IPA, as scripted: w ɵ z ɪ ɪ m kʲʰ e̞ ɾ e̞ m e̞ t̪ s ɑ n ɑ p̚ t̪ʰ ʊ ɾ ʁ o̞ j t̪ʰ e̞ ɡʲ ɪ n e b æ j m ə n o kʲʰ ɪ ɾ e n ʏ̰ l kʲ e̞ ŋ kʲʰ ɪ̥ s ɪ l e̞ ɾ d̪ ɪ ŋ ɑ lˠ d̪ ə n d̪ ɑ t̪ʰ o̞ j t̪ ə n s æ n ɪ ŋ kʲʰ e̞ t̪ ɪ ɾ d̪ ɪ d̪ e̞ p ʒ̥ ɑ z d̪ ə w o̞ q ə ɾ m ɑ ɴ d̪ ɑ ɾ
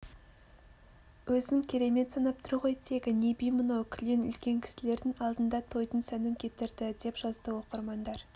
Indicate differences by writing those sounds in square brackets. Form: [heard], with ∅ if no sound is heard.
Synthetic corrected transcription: w ɵ z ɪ ɪ [ŋ] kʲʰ e̞ ɾ e̞ m e̞ t̪ s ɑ n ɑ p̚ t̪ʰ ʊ ɾ ʁ o̞ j t̪ʰ e̞ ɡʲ ɪ n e b [i] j m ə n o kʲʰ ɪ [l] e n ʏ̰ l kʲ e̞ ŋ kʲʰ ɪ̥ s ɪ l e̞ ɾ d̪ ɪ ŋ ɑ lˠ d̪ ə n d̪ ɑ t̪ʰ o̞ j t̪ ə n s æ n ɪ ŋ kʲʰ e̞ t̪ ɪ ɾ d̪ ɪ d̪ e̞ p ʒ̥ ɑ z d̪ ə w o̞ q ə ɾ m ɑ [n] d̪ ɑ ɾ